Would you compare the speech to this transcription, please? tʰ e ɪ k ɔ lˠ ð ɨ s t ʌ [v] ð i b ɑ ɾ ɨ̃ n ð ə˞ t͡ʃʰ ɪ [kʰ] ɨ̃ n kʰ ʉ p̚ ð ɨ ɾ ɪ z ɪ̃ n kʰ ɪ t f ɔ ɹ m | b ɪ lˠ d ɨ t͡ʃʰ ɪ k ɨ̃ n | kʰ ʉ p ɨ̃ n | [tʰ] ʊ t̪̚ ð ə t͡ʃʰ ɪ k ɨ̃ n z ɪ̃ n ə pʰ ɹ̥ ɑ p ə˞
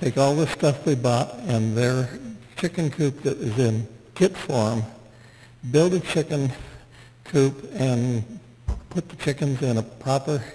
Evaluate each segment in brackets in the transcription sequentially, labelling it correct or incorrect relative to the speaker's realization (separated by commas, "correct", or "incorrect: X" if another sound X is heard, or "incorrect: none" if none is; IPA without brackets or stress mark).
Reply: incorrect: f, incorrect: k, incorrect: pʰ